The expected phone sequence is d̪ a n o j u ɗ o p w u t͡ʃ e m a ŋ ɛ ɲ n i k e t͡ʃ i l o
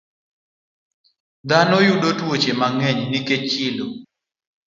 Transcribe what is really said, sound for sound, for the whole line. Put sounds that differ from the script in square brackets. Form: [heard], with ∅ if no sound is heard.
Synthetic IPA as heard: d̪ a n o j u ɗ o [t] w [o] t͡ʃ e m a ŋ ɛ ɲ n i k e t͡ʃ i l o